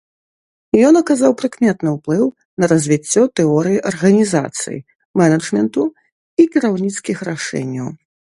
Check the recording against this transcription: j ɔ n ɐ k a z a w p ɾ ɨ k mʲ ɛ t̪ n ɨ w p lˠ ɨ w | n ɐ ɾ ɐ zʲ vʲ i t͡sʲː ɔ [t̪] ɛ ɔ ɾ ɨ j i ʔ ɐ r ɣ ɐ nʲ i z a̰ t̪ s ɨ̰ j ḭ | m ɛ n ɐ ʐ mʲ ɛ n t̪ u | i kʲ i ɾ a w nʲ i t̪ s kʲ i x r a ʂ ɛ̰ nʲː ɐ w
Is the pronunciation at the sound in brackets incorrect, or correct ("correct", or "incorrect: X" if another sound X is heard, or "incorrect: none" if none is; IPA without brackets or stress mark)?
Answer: correct